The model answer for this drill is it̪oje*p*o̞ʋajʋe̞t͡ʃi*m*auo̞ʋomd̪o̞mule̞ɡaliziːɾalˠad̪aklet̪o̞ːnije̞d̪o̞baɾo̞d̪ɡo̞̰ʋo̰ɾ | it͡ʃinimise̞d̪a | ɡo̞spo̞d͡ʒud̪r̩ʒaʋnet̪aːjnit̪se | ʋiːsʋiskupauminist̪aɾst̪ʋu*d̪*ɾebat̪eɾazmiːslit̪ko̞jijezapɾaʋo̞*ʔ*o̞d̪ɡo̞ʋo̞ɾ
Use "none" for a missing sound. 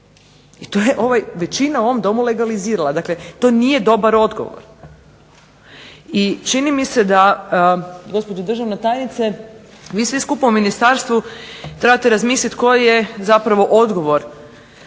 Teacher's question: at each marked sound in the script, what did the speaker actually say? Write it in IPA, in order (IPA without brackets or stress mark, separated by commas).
ʔ, n, t̪, ʔ